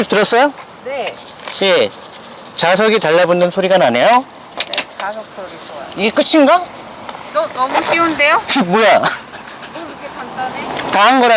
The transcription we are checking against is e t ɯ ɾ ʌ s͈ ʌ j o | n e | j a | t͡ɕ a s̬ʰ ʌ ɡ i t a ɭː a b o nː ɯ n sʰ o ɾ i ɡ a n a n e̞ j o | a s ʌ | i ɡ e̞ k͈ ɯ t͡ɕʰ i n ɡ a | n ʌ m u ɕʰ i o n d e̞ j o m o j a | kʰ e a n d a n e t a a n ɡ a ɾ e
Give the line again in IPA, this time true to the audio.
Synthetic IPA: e t ɯ ɾ ʌ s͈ ʌ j o | n e | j e | t͡ɕ a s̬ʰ ʌ ɡ i t a ɭː a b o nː ɯ n sʰ o ɾ i ɡ a n a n e̞ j o | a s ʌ | i ɡ e̞ k͈ ɯ t͡ɕʰ i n ɡ a | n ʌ m u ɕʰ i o n d e̞ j o m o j a | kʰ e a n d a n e t a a n ɡ ʌ ɾ a

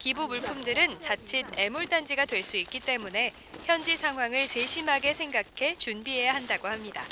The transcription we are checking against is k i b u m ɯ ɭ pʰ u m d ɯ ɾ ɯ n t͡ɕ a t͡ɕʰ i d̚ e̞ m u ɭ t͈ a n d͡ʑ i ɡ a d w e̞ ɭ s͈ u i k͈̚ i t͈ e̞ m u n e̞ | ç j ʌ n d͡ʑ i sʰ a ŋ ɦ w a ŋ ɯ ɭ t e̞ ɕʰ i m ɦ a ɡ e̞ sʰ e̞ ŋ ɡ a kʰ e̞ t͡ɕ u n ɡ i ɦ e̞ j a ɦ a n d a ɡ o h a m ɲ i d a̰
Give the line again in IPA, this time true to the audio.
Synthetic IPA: k i b u m u ɭ pʰ u m d ɯ ɾ ɯ n t͡ɕ a t͡ɕʰ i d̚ e̞ m u ɭ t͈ a n d͡ʑ i ɡ a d w e̞ ɭ s͈ u i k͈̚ i t͈ e̞ m u n e̞ | ç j ʌ n d͡ʑ i sʰ a ŋ ɦ w a ŋ ɯ ɭ s e̞ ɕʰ i m ɦ a ɡ e̞ sʰ e̞ ŋ ɡ a kʰ e̞ t͡ɕ u n b i ɦ e̞ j a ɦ a n d a ɡ o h a m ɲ i d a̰

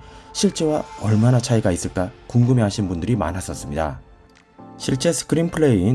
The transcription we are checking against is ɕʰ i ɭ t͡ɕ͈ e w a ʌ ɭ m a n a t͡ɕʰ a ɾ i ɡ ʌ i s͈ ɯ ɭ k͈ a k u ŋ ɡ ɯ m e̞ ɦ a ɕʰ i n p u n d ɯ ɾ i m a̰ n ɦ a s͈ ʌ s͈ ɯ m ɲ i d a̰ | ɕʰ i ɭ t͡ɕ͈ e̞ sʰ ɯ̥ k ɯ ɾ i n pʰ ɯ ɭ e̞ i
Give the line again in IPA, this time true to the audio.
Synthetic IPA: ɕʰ i ɭ t͡ɕ͈ e w a ʌ ɭ m a n a t͡ɕʰ a i ɡ a i s͈ ɯ ɭ k͈ a k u ŋ ɡ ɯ m e̞ ɦ a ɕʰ i n b u n d ɯ ɾ i m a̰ n ɦ a s͈ ʌ s͈ ɯ m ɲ i d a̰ | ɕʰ i ɭ t͡ɕ͈ e̞ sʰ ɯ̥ k ɯ ɾ i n pʰ ɯ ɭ e̞ i

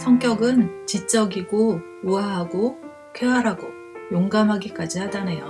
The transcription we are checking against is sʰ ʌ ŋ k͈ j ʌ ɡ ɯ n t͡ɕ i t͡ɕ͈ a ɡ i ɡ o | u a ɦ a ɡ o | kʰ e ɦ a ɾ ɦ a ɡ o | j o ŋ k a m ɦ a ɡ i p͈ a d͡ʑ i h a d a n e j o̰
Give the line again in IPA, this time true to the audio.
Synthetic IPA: sʰ ʌ ŋ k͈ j ʌ ɡ ɯ n t͡ɕ i t͡ɕ͈ ʌ ɡ i ɡ o | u a ɦ a ɡ o | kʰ e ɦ a ɾ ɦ a ɡ o | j o ŋ ɡ a m ɦ a ɡ i k͈ a d͡ʑ i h a d a n e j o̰

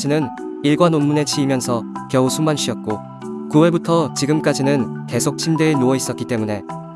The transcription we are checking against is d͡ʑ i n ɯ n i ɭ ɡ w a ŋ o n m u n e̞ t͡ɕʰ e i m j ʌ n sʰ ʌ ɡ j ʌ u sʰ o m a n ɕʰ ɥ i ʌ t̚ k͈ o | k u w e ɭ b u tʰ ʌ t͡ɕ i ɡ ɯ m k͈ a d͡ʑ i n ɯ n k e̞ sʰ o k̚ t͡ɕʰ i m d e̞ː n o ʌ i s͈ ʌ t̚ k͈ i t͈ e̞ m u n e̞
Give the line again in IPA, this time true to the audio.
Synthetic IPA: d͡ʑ i n ɯ n i ɭ ɡ w a n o n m u n e̞ t͡ɕʰ i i m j ʌ n sʰ ʌ k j ʌ u sʰ u m a n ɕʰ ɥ i ʌ t̚ k͈ o | k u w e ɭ b u tʰ ʌ t͡ɕ i ɡ ɯ m k͈ a d͡ʑ i n ɯ n k e̞ sʰ o k̚ t͡ɕʰ i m d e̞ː n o ʌ i s͈ ʌ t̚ k͈ i t͈ e̞ m u n e̞

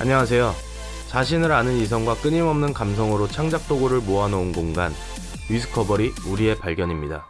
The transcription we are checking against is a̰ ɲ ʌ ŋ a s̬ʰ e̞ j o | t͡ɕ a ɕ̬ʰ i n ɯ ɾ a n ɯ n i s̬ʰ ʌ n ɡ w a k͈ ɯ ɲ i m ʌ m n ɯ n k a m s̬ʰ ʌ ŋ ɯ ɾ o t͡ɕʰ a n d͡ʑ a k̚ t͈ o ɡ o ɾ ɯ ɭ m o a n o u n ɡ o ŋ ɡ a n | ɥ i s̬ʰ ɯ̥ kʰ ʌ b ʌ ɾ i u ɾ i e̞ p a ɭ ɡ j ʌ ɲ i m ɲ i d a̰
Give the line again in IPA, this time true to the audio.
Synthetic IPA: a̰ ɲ ʌ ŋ a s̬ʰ e̞ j o | t͡ɕ a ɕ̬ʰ i n ɯ ɾ a n ɯ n i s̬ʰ ʌ ŋ ɡ w a k͈ ɯ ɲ i m ʌ m n ɯ n k a m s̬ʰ ʌ ŋ ɯ ɾ o t͡ɕʰ a ŋ d͡ʑ a k̚ t͈ o ɡ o ɾ ɯ ɭ m o a n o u n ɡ o ŋ ɡ a n | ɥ i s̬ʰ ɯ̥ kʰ ʌ b ʌ ɾ i u ɾ i e̞ p a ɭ ɡ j ʌ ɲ i m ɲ i d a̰

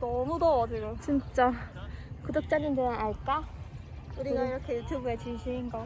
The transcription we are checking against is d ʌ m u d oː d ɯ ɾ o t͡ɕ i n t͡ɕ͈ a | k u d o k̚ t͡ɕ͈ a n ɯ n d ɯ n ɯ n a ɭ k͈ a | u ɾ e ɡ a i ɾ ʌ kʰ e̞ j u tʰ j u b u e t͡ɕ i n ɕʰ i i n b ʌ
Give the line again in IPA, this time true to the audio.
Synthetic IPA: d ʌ m u d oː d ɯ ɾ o t͡ɕ i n t͡ɕ͈ a | k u d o k̚ t͡ɕ͈ a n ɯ n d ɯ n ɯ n a ɭ k͈ a | u ɾ i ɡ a i ɾ ʌ kʰ e̞ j u tʰ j u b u e t͡ɕ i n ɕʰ i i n ɡ ʌ

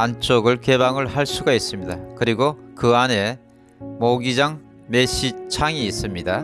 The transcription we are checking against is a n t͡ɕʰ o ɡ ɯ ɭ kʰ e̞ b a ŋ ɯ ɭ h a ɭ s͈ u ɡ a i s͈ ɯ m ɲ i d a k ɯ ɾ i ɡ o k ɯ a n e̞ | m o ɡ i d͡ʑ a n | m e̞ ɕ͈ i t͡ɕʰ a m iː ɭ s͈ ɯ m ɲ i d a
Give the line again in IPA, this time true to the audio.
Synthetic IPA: a n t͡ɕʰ o ɡ ɯ ɭ k e̞ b a ŋ ɯ ɭ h a ɭ s͈ u ɡ a i s͈ ɯ m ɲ i d a k ɯ ɾ i ɡ o k ɯ a n e̞ | m o ɡ i d͡ʑ a ŋ | m e̞ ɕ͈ i t͡ɕʰ a ŋ iː s͈ ɯ m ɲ i d a

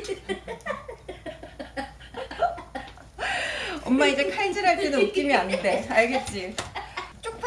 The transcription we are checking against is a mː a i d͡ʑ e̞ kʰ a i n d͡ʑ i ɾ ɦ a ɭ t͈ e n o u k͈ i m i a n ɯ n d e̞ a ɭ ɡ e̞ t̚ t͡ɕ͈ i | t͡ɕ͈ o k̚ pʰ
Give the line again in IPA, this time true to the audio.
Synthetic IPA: ʌ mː a i d͡ʑ e̞ kʰ a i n d͡ʑ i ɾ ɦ a ɭ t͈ e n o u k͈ i m i a n ɯ n d e̞ a ɭ ɡ e̞ t̚ t͡ɕ͈ i | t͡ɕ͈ o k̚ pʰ

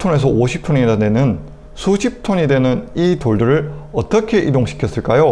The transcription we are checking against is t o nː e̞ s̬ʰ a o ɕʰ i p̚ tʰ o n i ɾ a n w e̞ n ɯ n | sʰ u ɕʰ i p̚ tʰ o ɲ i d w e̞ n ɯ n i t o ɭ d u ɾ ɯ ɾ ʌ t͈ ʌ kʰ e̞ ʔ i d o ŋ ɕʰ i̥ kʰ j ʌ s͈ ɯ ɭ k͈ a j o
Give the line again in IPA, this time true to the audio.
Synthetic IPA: tʰ o n e̞ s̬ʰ ʌ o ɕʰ i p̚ tʰ o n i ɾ a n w e̞ n ɯ n | sʰ u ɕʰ i p̚ tʰ o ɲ i d w e̞ n ɯ n i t o ɭ d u ɾ ɯ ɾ ʌ t͈ ʌ kʰ e̞ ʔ i d o ŋ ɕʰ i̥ kʰ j ʌ s͈ ɯ ɭ k͈ a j o

